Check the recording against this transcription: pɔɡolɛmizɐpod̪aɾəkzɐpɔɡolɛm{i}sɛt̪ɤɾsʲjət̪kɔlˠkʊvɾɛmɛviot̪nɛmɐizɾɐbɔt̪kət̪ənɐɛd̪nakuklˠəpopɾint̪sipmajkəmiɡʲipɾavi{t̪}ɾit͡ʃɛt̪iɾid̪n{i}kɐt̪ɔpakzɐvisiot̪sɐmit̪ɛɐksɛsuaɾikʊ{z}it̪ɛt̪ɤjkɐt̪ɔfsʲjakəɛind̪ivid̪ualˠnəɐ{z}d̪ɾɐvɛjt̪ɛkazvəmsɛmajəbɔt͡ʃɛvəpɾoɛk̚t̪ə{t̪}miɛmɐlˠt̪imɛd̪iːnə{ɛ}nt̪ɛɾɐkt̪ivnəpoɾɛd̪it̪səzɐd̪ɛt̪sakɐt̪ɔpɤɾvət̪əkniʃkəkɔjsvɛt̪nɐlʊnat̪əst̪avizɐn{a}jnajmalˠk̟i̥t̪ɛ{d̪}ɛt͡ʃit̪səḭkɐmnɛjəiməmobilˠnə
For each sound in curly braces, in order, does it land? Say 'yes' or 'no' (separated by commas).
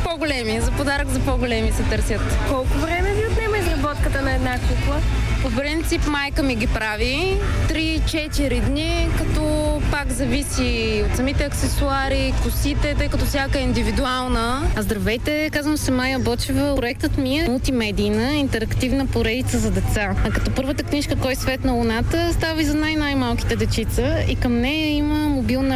yes, yes, yes, no, yes, yes, no, yes, yes